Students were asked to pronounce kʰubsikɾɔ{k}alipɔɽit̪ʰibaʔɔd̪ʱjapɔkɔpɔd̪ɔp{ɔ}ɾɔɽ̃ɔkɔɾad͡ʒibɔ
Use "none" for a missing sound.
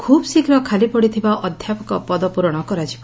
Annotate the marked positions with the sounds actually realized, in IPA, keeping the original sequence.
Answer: kʰ, u

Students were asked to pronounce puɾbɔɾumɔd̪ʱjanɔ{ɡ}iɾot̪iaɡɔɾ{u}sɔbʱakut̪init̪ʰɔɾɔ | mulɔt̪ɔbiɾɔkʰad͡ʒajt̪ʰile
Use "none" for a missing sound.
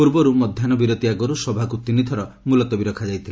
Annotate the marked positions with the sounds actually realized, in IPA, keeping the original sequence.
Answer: b, u

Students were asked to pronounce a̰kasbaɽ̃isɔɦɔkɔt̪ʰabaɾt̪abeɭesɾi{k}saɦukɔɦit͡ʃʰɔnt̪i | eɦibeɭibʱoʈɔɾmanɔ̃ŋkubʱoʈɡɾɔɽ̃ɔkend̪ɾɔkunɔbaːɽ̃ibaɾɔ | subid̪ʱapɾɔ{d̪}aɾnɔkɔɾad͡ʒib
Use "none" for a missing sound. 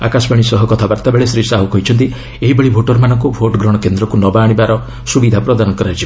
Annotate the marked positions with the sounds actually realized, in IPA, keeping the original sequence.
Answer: none, d̪

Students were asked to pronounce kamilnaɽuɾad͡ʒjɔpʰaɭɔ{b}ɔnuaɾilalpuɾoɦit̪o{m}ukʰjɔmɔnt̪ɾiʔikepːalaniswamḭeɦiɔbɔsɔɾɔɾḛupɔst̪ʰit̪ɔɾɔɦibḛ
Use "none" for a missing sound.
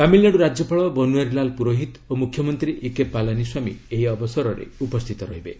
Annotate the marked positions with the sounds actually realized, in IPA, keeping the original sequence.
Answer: b, m

